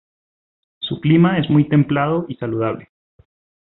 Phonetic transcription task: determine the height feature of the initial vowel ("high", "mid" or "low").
high